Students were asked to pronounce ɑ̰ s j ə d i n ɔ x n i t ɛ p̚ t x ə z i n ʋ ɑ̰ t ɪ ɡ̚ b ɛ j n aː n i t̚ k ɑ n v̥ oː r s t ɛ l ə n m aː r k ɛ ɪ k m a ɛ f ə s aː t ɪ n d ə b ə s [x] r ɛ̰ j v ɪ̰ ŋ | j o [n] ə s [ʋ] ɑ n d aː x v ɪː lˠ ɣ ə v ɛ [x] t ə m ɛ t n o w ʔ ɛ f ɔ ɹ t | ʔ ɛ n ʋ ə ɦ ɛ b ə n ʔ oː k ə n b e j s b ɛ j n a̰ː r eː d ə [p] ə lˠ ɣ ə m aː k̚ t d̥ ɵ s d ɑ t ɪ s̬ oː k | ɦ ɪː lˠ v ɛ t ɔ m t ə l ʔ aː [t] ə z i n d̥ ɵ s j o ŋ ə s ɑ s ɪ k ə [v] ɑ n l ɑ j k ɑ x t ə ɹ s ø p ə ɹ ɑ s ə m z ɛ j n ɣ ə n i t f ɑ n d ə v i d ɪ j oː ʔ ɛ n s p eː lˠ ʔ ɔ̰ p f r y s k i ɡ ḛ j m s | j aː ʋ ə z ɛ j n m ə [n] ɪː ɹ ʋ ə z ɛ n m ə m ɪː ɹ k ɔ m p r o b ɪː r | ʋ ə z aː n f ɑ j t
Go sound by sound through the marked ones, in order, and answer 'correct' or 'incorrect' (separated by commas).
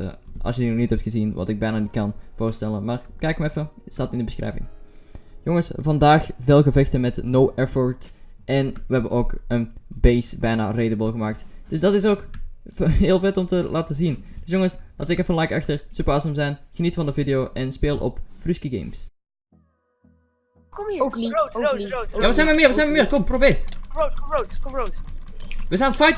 correct, incorrect, incorrect, correct, incorrect, correct, incorrect, incorrect